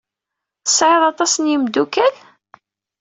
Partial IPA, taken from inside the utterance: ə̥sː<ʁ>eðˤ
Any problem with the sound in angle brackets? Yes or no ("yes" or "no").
yes